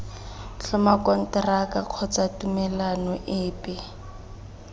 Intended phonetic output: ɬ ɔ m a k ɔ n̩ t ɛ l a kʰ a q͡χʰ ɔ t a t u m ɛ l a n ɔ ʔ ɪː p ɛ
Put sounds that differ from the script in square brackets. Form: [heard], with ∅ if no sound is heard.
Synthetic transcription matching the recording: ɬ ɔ m a k ɔ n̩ t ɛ [r] a [k] a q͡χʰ ɔ [t͡s] a t u m ɛ l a n ɔ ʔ ɪː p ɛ